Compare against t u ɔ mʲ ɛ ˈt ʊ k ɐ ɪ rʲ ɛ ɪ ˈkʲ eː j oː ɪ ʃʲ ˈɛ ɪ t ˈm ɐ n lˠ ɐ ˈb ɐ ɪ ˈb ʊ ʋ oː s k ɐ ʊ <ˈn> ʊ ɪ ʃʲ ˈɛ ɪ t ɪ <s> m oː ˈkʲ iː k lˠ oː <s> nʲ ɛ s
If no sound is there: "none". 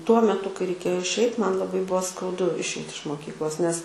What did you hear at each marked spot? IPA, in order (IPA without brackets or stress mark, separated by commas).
d, ʃ, s